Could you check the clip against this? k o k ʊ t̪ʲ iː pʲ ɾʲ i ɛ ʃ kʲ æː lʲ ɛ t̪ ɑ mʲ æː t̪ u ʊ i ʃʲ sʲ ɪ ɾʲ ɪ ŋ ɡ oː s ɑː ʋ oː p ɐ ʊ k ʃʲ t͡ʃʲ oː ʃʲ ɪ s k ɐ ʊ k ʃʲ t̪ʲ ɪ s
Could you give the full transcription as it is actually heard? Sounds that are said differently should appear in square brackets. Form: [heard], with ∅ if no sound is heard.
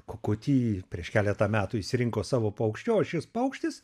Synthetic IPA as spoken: k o k ʊ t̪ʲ iː pʲ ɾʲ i ɛ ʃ kʲ æː lʲ ɛ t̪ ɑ mʲ æː t̪ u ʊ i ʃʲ sʲ ɪ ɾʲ ɪ ŋ [k] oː s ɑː ʋ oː p ɐ ʊ k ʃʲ t͡ʃʲ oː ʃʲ ɪ s [p] ɐ ʊ k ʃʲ t̪ʲ ɪ s